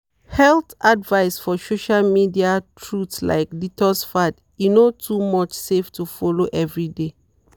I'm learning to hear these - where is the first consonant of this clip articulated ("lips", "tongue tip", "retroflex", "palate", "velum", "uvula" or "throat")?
throat